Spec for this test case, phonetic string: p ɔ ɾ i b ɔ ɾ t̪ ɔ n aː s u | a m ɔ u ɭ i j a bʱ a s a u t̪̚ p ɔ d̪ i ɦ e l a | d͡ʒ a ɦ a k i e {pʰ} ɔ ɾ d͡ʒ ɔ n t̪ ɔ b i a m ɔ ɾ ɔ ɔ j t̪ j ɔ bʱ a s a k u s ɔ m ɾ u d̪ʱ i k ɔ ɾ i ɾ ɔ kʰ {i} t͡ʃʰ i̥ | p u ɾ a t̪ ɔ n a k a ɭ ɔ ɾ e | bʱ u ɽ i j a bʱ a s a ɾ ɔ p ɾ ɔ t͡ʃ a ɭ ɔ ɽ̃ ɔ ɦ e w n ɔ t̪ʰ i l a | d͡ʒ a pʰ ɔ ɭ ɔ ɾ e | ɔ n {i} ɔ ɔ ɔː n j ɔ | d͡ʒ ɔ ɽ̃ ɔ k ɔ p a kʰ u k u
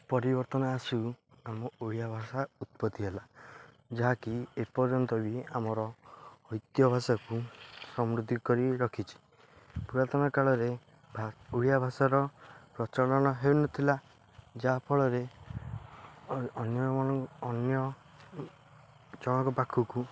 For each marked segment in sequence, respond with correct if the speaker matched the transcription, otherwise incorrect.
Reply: incorrect, correct, incorrect

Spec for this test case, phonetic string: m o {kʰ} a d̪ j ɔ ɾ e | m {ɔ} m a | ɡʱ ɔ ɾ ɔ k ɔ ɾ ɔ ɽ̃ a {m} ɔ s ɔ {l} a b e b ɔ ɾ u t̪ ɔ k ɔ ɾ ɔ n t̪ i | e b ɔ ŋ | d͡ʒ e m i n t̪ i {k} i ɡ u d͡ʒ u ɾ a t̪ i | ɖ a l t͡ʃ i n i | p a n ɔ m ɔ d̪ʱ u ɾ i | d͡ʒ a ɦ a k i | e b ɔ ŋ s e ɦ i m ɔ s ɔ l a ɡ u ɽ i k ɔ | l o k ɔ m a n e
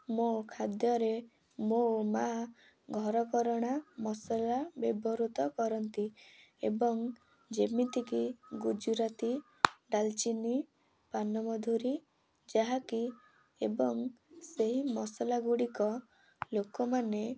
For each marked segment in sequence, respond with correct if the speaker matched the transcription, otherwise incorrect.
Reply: correct, incorrect, correct, correct, correct

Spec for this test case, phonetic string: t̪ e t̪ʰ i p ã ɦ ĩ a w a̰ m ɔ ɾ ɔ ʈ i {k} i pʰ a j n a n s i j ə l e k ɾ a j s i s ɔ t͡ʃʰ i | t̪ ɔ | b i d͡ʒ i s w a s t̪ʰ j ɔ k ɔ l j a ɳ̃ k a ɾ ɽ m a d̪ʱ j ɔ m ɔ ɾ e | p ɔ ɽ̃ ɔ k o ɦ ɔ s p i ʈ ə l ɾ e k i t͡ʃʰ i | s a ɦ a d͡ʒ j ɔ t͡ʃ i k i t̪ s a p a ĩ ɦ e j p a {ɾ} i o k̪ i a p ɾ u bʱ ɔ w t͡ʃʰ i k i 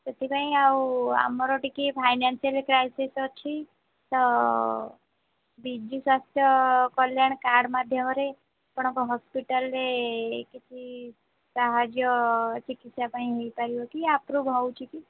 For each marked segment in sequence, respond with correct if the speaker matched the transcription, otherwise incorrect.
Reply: correct, correct

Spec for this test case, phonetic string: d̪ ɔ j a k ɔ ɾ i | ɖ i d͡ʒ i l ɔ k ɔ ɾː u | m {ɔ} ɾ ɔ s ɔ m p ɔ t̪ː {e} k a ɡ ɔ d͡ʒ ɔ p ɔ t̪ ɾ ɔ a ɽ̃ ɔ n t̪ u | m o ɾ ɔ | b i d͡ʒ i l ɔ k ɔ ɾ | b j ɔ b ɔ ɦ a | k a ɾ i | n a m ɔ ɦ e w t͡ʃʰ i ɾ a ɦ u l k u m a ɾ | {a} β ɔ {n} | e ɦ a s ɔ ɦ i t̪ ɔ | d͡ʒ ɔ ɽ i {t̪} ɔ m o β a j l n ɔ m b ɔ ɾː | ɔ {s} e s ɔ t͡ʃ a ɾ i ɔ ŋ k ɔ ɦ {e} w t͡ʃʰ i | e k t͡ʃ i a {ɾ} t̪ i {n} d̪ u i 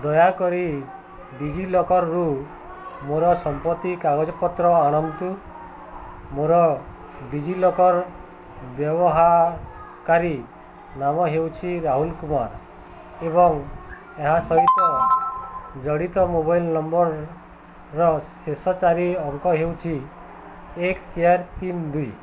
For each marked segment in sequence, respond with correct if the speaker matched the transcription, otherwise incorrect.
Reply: incorrect, incorrect, incorrect, incorrect, correct, correct, correct, correct, correct

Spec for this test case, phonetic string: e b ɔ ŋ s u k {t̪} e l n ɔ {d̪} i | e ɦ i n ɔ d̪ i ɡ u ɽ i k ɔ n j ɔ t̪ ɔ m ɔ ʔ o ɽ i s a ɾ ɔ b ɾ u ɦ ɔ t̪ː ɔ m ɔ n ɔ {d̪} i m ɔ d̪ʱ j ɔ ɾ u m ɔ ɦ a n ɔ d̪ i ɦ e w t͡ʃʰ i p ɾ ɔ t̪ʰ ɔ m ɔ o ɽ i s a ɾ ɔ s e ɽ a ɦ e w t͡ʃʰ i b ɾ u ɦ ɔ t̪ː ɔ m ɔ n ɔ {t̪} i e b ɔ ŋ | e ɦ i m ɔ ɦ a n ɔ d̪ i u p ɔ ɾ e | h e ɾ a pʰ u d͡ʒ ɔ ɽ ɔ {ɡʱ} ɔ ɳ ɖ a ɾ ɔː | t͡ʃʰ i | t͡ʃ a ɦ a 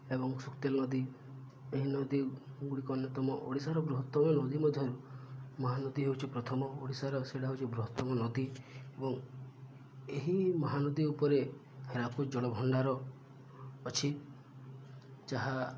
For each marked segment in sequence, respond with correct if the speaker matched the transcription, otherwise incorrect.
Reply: correct, correct, correct, incorrect, incorrect

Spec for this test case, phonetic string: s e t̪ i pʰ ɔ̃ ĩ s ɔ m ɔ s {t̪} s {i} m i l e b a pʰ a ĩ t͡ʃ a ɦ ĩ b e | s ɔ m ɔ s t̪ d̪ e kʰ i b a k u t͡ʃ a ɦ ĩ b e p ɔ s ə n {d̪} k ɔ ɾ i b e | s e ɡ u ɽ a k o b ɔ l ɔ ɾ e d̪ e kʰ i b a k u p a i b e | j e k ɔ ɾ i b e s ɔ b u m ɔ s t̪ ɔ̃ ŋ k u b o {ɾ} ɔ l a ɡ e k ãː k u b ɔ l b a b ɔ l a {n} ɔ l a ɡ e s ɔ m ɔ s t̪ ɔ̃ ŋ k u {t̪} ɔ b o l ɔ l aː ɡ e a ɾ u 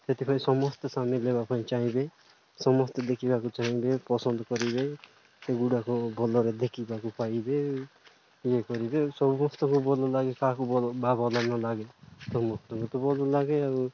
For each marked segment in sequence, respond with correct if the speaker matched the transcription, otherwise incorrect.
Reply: correct, incorrect, correct, incorrect, correct, correct

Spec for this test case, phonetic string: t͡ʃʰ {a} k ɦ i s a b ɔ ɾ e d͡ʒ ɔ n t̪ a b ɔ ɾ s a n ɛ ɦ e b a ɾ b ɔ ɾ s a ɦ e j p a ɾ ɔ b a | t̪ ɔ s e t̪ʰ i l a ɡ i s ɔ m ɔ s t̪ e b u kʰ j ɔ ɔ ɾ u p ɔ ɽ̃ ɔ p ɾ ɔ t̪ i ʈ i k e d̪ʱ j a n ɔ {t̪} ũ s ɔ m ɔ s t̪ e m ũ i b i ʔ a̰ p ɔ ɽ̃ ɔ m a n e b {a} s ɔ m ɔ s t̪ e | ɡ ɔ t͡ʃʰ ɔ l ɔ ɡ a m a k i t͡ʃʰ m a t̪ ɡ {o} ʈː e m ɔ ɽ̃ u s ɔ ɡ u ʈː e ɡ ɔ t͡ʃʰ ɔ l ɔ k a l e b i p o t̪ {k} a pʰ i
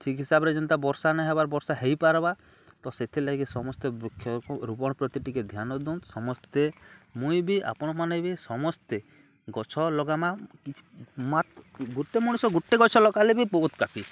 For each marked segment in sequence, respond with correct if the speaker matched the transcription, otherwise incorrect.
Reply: incorrect, incorrect, incorrect, incorrect, correct

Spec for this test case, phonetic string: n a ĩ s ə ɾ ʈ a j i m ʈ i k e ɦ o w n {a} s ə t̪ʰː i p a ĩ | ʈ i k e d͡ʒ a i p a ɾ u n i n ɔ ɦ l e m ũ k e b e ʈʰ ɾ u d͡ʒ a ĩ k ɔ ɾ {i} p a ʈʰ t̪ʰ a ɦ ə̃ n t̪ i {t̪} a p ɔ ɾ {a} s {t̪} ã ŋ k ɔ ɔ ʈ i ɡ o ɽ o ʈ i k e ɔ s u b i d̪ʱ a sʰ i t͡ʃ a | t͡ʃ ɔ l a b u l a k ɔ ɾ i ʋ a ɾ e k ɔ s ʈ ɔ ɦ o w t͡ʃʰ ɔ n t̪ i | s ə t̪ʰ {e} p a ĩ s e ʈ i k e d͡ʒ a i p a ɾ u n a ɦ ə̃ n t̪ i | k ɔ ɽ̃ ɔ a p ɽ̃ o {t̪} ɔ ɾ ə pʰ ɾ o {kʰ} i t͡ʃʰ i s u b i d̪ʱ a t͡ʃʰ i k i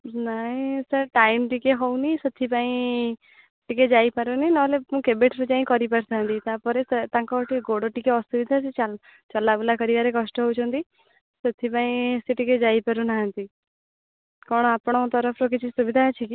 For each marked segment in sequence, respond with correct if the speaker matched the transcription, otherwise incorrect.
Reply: incorrect, correct, correct, incorrect, correct, incorrect, correct, incorrect

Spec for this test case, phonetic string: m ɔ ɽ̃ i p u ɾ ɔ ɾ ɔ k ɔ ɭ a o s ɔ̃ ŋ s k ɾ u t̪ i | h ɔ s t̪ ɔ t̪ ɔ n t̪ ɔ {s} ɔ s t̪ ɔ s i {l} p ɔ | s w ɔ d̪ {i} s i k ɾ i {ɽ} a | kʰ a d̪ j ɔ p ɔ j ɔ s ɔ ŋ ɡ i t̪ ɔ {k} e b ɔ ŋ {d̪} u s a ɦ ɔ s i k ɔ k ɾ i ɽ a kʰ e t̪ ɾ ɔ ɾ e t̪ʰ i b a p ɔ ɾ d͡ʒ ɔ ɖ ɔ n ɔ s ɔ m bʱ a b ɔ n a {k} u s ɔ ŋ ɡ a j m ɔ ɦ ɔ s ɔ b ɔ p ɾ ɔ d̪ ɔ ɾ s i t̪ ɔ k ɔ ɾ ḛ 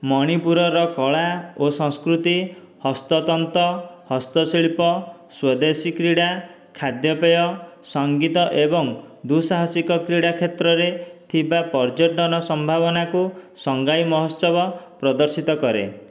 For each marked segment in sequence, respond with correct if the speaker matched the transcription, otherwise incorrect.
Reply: incorrect, incorrect, incorrect, correct, incorrect, correct, correct

